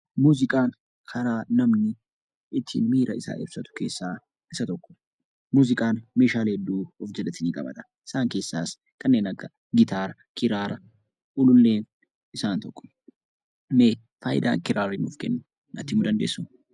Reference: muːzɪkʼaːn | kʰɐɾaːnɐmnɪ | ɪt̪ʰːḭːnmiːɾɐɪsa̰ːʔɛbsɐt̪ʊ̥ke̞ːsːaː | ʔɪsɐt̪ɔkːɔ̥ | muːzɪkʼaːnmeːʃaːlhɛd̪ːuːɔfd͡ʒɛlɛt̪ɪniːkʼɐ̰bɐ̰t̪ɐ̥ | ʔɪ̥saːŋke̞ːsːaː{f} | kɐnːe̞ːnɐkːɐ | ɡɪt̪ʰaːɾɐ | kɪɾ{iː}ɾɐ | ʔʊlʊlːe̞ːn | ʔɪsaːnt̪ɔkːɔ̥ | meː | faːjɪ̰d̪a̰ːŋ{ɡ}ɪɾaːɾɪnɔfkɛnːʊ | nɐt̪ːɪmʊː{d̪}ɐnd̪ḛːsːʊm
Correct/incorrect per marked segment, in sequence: incorrect: s, incorrect: aː, incorrect: k, correct

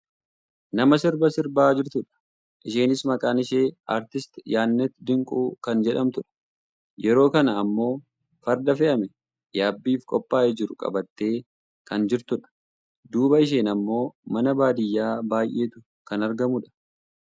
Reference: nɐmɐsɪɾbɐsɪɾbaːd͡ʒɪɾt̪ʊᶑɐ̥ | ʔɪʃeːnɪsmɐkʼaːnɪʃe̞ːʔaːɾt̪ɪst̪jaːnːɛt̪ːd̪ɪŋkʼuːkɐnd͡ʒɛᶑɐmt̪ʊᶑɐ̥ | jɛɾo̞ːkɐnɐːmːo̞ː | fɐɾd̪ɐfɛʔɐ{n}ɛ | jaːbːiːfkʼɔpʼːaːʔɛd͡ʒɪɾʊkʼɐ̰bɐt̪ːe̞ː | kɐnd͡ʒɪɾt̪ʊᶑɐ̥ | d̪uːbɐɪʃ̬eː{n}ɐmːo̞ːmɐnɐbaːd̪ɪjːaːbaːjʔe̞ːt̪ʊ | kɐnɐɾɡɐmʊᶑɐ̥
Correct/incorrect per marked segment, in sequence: incorrect: m, correct

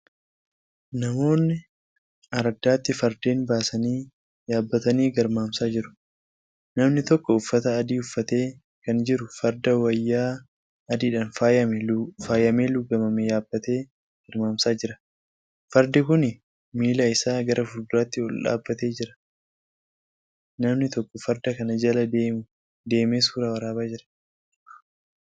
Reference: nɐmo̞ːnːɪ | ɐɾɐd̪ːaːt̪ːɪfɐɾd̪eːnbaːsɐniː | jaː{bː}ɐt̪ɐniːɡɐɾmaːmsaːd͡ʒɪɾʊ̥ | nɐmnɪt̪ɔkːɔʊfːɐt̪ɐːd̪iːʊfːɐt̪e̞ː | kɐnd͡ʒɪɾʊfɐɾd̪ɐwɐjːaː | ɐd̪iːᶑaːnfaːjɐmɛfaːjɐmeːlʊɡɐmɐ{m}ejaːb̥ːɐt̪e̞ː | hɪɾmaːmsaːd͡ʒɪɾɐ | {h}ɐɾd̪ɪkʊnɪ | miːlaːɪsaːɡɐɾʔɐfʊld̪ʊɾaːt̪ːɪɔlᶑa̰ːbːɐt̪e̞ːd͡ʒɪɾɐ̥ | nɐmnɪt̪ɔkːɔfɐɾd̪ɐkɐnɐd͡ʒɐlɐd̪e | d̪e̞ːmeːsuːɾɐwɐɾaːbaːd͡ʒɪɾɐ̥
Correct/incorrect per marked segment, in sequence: correct, correct, incorrect: f

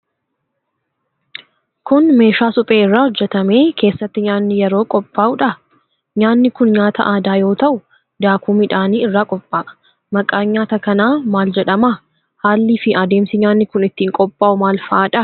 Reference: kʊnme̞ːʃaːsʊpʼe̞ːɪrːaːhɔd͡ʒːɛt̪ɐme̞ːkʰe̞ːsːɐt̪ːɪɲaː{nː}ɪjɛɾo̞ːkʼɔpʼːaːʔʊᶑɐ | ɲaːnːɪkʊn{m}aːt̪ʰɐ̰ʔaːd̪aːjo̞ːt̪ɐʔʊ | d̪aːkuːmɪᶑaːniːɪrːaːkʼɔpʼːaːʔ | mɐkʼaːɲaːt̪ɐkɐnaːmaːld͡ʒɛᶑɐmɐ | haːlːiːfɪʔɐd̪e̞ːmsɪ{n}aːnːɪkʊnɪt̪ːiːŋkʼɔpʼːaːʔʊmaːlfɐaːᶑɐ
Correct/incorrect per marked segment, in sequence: correct, incorrect: ɲ, incorrect: ɲ

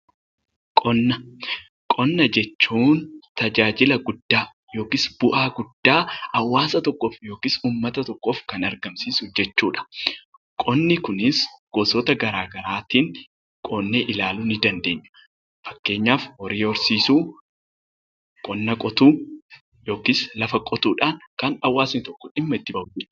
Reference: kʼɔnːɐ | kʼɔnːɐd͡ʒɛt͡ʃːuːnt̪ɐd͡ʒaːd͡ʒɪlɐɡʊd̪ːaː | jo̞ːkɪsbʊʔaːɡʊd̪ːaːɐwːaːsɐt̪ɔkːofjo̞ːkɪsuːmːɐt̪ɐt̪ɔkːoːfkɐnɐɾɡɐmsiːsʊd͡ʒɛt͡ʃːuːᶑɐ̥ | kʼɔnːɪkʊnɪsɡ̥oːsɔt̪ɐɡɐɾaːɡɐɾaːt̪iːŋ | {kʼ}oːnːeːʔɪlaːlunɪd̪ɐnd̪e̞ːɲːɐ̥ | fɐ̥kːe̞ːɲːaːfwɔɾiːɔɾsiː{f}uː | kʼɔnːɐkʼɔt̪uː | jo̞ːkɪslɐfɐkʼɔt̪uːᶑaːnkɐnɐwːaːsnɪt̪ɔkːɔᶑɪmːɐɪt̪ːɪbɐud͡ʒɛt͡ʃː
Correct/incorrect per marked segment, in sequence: correct, incorrect: s

